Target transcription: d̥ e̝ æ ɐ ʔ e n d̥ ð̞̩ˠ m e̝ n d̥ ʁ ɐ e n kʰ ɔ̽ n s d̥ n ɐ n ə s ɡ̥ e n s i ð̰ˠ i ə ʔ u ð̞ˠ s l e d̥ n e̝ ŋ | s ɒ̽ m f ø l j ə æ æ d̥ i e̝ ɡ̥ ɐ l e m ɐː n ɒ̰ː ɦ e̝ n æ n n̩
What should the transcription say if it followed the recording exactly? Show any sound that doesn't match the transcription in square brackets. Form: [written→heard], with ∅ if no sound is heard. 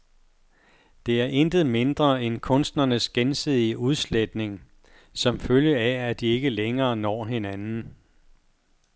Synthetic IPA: d̥ e̝ æ ɐ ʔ e n d̥ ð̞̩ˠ m e̝ n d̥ ʁ ɐ e n kʰ ɔ̽ n s d̥ n ɐ n ə s ɡ̥ e n s i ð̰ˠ i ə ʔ u ð̞ˠ s l e d̥ n e̝ ŋ | s ɒ̽ m f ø l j ə æ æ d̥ i e̝ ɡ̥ [ɐ→ə] l e [m→ŋ] ɐː n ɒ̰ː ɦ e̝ n æ n n̩